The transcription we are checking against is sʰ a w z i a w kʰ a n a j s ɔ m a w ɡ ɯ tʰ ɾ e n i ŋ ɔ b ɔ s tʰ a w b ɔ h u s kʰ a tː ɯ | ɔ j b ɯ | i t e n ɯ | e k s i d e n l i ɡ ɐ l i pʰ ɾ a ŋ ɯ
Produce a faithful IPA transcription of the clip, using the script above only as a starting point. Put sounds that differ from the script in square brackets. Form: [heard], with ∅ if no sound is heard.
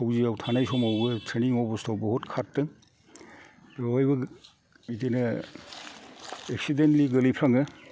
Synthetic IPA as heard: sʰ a w z i a w [tʰ] a n a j s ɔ m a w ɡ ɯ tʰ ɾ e n i ŋ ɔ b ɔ s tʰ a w b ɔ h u [t] kʰ a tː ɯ | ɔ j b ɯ | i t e n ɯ | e k s i d e n l i ɡ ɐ l i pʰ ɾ a ŋ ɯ

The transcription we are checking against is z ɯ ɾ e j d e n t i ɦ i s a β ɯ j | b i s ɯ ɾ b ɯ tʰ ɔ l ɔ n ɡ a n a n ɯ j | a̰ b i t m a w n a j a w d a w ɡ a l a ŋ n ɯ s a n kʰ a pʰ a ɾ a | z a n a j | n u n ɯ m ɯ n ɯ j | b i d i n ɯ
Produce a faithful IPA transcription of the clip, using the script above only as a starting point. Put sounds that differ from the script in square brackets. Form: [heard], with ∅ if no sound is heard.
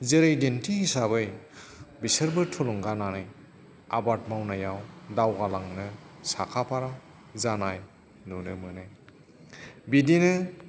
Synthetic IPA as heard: z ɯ ɾ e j d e n t i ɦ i s a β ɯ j | b i s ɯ ɾ b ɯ tʰ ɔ l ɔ [ŋ] ɡ a n a n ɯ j | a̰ b [a] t m a w n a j a w d a w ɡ a l a ŋ n ɯ s a [∅] kʰ a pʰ a ɾ a | z a n a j | n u n ɯ m ɯ n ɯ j | b i d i n ɯ

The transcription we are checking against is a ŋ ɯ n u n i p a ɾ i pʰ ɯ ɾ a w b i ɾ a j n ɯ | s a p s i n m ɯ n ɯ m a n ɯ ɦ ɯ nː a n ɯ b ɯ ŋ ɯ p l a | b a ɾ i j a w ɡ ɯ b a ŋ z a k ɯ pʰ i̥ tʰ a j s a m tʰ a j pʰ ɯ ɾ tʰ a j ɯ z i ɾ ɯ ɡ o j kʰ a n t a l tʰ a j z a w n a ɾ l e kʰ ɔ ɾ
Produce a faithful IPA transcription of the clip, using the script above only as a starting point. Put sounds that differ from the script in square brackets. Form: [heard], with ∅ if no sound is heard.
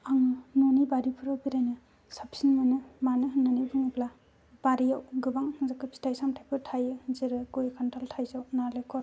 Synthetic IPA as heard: a ŋ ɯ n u n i [b] a ɾ i pʰ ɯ ɾ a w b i ɾ a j n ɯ | s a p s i n m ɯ n ɯ m a n ɯ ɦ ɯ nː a n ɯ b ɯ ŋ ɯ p l a | b a ɾ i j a w ɡ ɯ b a ŋ z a k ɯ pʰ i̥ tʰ a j s a m tʰ a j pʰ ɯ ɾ tʰ a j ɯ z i ɾ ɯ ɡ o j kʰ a n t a l tʰ a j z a w n a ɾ l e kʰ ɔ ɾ

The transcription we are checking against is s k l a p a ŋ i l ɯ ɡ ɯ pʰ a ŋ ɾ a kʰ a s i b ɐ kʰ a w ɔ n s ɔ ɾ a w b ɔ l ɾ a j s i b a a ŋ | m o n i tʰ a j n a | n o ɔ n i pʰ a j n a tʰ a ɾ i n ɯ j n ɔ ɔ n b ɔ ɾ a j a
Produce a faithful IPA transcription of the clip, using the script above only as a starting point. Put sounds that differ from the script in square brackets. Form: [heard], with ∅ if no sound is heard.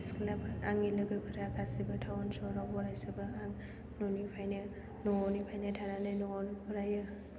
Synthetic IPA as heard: s k l a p a ŋ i l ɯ ɡ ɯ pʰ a [∅] ɾ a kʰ a s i b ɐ [tʰ] a w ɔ n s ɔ ɾ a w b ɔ [∅] ɾ a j s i b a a ŋ | [n] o n i [pʰ] a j n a | n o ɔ n i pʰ a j n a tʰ a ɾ [a] n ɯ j n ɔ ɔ n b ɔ ɾ a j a

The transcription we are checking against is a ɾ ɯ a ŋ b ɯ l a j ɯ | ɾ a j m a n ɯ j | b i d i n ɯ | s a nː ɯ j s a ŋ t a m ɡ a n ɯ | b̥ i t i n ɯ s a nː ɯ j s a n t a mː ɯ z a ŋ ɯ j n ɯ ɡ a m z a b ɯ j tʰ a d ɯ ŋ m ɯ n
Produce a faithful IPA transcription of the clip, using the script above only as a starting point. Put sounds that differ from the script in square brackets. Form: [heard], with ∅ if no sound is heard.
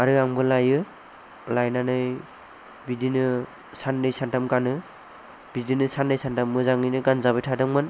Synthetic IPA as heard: a ɾ ɯ a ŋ b ɯ l a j ɯ | [l] a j [n] a n ɯ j | b i d i n ɯ | s a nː ɯ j s a [n] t a m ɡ a n ɯ | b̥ i [d] i n ɯ s a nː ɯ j s a n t a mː ɯ z a ŋ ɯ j n ɯ ɡ a [n] z a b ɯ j tʰ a d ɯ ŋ m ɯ n

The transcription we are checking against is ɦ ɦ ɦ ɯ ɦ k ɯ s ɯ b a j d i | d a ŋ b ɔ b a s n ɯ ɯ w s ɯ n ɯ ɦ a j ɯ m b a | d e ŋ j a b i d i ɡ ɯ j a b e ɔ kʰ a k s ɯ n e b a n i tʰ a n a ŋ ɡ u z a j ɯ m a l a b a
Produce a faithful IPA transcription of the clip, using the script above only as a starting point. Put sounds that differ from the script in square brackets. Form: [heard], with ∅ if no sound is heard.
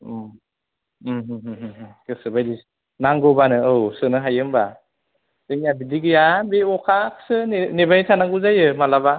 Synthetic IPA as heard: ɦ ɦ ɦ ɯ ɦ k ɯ s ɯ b a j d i | [n] a ŋ [ɡ] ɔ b a [∅] n ɯ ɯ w s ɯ n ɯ ɦ a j ɯ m b a | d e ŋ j a b i d i ɡ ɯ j a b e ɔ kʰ a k s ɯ n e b a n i tʰ a n a ŋ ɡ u z a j ɯ m a l a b a

